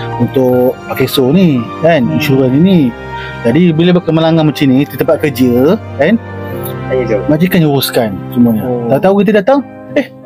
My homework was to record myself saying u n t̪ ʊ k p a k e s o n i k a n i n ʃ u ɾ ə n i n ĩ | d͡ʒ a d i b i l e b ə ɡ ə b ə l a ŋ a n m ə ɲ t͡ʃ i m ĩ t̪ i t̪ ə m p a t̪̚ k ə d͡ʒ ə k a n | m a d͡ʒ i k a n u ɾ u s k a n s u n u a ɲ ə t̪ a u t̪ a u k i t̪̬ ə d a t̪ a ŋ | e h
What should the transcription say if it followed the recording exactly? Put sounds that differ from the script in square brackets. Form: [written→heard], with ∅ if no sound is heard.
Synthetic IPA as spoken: u n t̪ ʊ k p a k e s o n i k a n i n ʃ u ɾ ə n i n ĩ | d͡ʒ a d i b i l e b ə [ɡ→k] ə [b→m] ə l a ŋ a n m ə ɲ t͡ʃ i [m→n] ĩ t̪ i t̪ ə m p a t̪̚ k ə d͡ʒ ə k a n | m a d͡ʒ i k a n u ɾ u s k a n s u [n→m] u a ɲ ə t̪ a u t̪ a u k i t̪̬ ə d a t̪ a ŋ | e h